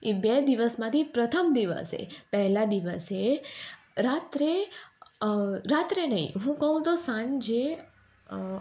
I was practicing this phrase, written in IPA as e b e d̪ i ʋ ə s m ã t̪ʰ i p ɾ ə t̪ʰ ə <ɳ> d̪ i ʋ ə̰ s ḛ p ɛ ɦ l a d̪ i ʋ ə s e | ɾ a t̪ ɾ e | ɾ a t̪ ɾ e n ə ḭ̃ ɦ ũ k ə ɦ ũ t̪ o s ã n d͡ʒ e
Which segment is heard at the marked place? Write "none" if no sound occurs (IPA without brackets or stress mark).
m